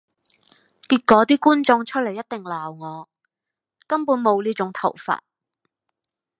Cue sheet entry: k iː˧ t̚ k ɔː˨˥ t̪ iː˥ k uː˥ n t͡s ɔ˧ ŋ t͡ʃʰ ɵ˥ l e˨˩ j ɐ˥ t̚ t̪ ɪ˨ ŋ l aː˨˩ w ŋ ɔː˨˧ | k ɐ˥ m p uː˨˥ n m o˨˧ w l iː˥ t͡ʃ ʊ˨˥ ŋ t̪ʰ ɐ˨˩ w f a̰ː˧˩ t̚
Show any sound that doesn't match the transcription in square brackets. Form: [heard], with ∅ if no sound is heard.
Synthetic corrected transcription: k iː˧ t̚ k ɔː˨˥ t̪ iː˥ k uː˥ n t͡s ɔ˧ ŋ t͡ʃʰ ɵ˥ l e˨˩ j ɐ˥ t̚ t̪ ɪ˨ ŋ l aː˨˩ w ŋ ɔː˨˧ | k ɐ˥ m p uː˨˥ n m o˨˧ w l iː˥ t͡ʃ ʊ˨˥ ŋ t̪ʰ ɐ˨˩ w f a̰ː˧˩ t̚